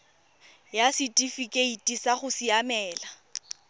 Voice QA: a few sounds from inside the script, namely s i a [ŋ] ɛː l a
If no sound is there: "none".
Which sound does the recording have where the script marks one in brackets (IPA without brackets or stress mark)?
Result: m